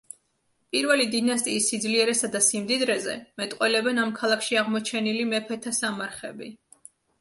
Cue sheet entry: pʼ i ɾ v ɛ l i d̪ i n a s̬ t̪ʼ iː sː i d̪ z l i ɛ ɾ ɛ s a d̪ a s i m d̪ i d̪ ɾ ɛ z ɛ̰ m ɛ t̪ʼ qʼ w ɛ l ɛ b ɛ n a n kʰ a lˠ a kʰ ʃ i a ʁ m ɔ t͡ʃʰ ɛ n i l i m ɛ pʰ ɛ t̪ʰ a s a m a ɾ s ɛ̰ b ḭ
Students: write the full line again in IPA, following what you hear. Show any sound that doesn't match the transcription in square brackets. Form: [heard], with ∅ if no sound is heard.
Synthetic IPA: pʼ i ɾ v ɛ l i d̪ i n a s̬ t̪ʼ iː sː i d̪ z l i ɛ ɾ ɛ s a d̪ a s i m d̪ i d̪ ɾ ɛ z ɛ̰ m ɛ t̪ʼ qʼ w ɛ l ɛ b ɛ n a [m] kʰ a lˠ a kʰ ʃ i a ʁ m ɔ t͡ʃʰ ɛ n i l i m ɛ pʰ ɛ t̪ʰ a s a m a ɾ [χ] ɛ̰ b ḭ

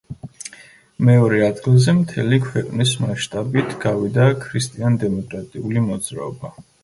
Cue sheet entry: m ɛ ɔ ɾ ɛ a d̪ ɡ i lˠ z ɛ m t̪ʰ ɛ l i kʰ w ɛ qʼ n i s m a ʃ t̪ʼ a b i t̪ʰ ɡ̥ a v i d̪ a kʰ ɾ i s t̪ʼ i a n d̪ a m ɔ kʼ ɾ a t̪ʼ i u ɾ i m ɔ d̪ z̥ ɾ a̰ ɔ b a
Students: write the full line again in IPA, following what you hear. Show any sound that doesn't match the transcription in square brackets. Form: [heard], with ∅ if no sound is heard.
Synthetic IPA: m ɛ ɔ ɾ ɛ a d̪ ɡ i lˠ z ɛ m t̪ʰ ɛ l i kʰ w ɛ qʼ n i s m a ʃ t̪ʼ a b i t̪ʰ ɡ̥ a v i d̪ a kʰ ɾ i s t̪ʼ i a n d̪ [ɛ] m ɔ kʼ ɾ a t̪ʼ i u [l] i m ɔ d̪ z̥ ɾ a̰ ɔ b a

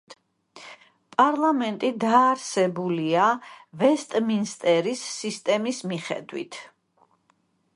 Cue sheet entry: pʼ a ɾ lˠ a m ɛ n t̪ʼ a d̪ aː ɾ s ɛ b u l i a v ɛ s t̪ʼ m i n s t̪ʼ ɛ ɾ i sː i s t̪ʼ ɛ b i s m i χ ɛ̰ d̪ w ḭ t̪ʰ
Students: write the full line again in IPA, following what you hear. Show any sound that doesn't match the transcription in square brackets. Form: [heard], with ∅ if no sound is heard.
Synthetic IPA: pʼ a ɾ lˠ a m ɛ n t̪ʼ [i] d̪ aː ɾ s ɛ b u l i a v ɛ s t̪ʼ m i n s t̪ʼ ɛ ɾ i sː i s t̪ʼ ɛ [m] i s m i χ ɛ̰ d̪ w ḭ t̪ʰ

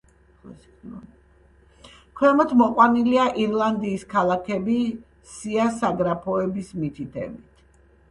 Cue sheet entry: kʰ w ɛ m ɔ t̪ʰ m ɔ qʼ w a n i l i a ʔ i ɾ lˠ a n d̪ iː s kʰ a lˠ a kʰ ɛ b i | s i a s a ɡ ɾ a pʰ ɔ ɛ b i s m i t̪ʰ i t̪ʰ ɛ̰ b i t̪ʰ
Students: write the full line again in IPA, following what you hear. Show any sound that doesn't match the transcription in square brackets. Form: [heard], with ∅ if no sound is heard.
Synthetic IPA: kʰ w ɛ m ɔ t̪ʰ m ɔ qʼ w a n i l i a ʔ i ɾ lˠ a n d̪ iː s kʰ a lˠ a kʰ ɛ b i | s i a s a ɡ ɾ a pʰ ɔ ɛ b i s m i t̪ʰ i t̪ʰ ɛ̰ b i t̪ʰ

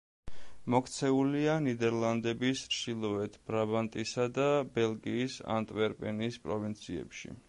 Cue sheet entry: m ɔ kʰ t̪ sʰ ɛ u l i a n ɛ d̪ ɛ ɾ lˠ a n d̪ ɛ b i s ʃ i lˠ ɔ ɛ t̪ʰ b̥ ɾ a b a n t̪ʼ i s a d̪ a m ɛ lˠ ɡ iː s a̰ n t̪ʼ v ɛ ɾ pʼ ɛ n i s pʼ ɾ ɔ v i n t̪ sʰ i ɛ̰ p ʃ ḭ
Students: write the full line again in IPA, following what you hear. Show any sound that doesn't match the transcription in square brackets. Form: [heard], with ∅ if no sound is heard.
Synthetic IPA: m ɔ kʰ t̪ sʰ ɛ u l i a n [i] d̪ ɛ ɾ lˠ a n d̪ ɛ b i s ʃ i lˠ ɔ ɛ t̪ʰ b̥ ɾ a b a n t̪ʼ i s a d̪ a [b] ɛ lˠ ɡ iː s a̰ n t̪ʼ v ɛ ɾ pʼ ɛ n i s pʼ ɾ ɔ v i n t̪ sʰ i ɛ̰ p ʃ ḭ

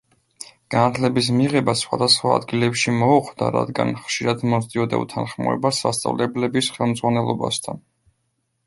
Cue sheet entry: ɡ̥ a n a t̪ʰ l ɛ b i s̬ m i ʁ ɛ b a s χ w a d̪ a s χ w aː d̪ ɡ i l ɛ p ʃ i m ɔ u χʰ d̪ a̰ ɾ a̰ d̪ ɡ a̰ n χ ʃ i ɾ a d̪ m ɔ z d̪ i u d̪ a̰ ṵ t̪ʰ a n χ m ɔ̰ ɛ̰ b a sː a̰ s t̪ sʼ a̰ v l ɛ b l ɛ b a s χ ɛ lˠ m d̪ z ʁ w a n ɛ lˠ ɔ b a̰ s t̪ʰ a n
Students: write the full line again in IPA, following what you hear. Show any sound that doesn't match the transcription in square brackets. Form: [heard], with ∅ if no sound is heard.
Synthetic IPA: ɡ̥ a n a t̪ʰ l ɛ b i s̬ m i ʁ ɛ b a s χ w a d̪ a s χ w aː d̪ ɡ i l ɛ p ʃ i m ɔ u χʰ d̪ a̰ ɾ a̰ d̪ ɡ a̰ n χ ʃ i ɾ a d̪ m ɔ z d̪ i [ɔ] d̪ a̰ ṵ t̪ʰ a n χ m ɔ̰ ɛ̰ b a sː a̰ s t̪ sʼ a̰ v l ɛ b l ɛ b [i] s χ ɛ lˠ m d̪ z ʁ w a n ɛ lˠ ɔ b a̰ s t̪ʰ a n

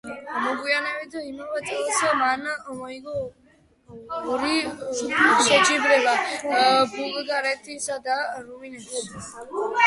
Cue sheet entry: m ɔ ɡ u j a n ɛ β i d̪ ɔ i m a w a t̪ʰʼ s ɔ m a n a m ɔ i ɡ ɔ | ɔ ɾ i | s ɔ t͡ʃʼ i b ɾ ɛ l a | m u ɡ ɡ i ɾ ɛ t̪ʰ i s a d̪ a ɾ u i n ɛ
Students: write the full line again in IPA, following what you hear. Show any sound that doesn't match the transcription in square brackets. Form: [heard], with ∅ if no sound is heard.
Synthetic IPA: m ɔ ɡ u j a n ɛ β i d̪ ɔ i m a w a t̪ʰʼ s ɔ m a n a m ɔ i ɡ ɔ | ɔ ɾ i | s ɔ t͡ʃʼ i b ɾ ɛ l a | [b] u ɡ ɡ [a] ɾ ɛ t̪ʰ i s a d̪ a ɾ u i n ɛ

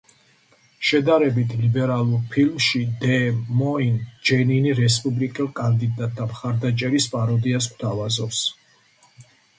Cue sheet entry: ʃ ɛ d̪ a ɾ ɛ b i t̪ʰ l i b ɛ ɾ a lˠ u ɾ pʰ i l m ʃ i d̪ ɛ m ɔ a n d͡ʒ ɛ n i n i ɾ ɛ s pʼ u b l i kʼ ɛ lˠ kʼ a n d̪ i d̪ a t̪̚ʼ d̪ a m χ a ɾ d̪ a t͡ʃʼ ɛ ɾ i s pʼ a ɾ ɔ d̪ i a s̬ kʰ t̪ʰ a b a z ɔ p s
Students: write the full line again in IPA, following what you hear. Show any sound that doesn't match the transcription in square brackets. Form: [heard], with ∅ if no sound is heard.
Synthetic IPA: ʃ ɛ d̪ a ɾ ɛ b i t̪ʰ l i b ɛ ɾ a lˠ u ɾ pʰ i l m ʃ i d̪ ɛ m ɔ [i] n d͡ʒ ɛ n i n i ɾ ɛ s pʼ u b l i kʼ ɛ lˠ kʼ a n d̪ i d̪ a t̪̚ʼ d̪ a m χ a ɾ d̪ a t͡ʃʼ ɛ ɾ i s pʼ a ɾ ɔ d̪ i a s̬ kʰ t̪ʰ a [v] a z ɔ p s

